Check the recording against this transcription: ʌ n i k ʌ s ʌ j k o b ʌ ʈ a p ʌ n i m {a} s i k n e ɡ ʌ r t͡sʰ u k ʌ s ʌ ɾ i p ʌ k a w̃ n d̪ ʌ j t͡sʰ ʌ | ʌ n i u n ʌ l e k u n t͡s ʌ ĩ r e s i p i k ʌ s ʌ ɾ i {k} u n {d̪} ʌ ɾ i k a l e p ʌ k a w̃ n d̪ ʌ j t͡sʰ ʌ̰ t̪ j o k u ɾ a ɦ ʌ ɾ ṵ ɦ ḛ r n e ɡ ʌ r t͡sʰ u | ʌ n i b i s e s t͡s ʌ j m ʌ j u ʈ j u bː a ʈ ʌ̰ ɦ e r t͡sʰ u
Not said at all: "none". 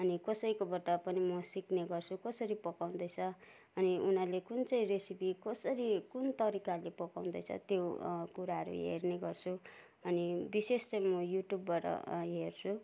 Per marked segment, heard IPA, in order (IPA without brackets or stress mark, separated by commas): ʌ, k, t̪